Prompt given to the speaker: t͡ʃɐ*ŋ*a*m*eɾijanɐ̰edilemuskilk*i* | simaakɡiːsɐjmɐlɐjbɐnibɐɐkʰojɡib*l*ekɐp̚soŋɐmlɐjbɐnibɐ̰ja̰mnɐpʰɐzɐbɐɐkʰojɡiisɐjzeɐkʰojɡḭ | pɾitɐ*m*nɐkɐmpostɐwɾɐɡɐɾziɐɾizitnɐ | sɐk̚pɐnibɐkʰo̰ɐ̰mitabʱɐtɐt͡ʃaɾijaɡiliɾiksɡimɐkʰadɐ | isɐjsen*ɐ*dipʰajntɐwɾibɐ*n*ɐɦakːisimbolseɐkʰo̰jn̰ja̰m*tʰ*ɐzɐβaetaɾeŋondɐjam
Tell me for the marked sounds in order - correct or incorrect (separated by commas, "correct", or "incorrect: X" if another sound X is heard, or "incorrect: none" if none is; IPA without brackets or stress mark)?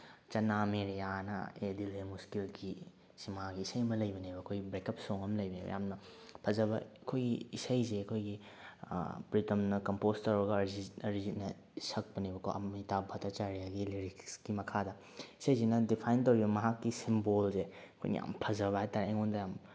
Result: incorrect: n, correct, correct, incorrect: ɾ, correct, correct, incorrect: m, incorrect: pʰ